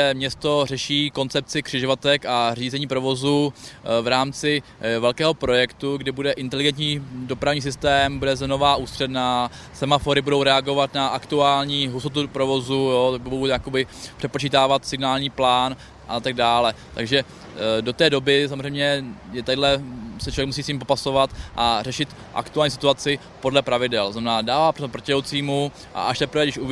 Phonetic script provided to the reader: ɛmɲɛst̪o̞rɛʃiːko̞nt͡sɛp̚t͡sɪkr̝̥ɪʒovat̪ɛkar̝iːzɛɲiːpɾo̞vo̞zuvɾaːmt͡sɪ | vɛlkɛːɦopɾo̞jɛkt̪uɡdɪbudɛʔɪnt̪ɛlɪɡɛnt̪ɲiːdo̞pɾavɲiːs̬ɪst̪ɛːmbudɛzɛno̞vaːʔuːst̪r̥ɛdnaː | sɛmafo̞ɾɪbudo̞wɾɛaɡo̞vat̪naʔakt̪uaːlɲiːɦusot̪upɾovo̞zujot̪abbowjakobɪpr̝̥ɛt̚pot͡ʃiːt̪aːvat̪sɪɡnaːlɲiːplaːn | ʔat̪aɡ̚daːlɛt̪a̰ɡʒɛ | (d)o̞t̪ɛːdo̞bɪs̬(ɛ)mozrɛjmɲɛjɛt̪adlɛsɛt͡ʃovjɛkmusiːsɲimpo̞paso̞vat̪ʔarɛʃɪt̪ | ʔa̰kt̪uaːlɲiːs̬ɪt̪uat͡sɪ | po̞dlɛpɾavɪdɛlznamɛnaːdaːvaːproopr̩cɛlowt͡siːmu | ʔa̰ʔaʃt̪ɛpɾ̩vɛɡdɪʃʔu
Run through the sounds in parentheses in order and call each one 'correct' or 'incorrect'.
correct, incorrect

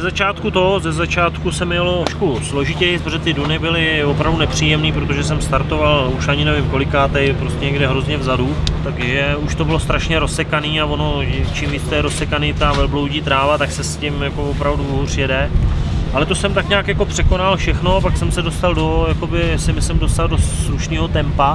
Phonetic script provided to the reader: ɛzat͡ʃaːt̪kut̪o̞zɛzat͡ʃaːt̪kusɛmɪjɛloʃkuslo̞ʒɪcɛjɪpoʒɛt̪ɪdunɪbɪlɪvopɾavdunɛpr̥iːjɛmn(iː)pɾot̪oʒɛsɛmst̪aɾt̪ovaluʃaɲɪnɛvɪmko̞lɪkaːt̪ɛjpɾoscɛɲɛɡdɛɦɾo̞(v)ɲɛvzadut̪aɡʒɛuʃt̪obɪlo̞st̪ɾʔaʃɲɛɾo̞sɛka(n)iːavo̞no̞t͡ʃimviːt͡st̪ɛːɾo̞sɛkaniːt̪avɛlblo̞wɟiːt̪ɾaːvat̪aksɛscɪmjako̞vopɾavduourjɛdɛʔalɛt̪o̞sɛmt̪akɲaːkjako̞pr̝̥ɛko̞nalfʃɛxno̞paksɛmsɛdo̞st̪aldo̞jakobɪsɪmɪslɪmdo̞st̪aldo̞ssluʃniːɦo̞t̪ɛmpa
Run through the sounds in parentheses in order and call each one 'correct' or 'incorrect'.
correct, incorrect, correct

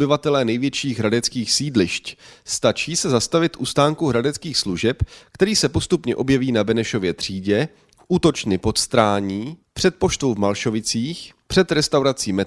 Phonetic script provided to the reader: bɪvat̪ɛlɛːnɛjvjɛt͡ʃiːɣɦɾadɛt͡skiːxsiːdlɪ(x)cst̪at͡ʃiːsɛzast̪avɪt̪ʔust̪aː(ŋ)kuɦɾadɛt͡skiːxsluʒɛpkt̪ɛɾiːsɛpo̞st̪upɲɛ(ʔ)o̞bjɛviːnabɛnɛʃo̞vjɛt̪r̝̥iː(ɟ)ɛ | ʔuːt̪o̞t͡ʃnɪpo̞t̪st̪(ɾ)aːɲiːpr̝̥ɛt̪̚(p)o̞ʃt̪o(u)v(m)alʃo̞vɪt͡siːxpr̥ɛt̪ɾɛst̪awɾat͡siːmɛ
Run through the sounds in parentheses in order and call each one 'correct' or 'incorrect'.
incorrect, correct, correct, correct, correct, correct, incorrect, correct

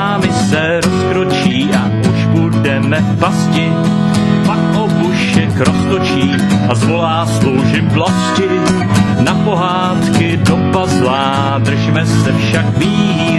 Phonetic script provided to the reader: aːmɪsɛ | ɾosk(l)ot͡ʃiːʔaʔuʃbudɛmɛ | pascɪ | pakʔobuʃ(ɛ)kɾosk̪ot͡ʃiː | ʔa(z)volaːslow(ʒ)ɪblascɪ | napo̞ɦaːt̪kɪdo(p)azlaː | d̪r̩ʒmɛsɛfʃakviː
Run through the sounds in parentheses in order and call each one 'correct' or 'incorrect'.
incorrect, correct, correct, correct, correct

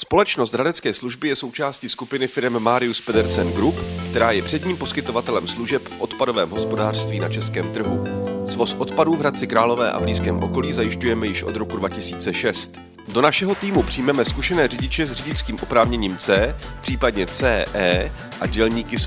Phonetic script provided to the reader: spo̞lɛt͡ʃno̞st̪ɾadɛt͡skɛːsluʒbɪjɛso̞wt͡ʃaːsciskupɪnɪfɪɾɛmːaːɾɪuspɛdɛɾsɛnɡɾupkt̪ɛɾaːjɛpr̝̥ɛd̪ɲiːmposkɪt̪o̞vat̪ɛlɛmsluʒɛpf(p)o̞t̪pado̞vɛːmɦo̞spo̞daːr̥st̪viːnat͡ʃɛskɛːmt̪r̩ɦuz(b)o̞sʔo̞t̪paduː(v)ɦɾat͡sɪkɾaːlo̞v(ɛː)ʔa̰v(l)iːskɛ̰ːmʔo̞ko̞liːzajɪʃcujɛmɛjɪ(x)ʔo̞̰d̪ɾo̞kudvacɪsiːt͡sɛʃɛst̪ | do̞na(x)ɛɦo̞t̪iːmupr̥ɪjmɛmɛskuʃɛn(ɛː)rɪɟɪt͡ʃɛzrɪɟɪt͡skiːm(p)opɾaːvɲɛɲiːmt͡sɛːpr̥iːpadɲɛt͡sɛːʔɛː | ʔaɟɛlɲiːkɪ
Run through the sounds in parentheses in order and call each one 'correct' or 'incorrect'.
incorrect, incorrect, correct, correct, correct, incorrect, incorrect, correct, incorrect

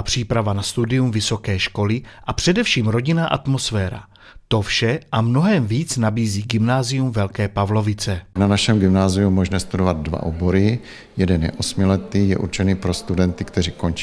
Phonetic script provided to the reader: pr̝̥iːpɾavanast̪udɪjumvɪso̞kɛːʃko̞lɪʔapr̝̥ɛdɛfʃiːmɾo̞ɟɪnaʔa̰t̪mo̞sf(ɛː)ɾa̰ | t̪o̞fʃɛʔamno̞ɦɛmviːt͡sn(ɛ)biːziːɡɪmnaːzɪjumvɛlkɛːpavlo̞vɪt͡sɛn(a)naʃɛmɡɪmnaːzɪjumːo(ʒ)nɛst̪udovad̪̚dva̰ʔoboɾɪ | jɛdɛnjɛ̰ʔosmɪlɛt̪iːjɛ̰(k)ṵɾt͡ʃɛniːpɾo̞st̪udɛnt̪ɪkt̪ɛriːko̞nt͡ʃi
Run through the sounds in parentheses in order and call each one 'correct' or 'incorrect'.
correct, incorrect, correct, correct, incorrect

